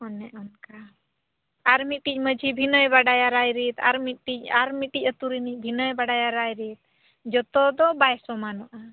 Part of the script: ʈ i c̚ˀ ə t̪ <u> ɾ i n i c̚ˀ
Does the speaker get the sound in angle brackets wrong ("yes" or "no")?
no